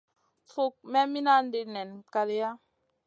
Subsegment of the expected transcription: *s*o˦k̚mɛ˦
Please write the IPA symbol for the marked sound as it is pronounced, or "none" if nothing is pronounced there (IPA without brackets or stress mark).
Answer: f